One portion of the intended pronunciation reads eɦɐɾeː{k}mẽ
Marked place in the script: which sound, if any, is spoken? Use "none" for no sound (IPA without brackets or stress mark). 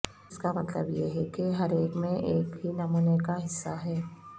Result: k